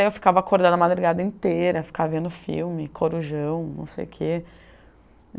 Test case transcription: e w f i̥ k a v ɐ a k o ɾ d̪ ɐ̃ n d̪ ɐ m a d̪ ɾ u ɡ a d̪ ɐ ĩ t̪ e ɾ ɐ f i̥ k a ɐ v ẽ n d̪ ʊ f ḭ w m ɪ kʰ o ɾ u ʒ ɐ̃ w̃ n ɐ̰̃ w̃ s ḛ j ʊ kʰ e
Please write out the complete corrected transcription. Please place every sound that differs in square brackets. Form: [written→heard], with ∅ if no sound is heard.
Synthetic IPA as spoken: e w f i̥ k a v ɐ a k o ɾ d̪ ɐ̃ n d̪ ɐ m a d̪ ɾ u ɡ a d̪ ɐ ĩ t̪ e ɾ ɐ f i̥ k a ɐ v ẽ n d̪ ʊ f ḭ w m ɪ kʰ o ɾ u ʒ ɐ̃ w̃ n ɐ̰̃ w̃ s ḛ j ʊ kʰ e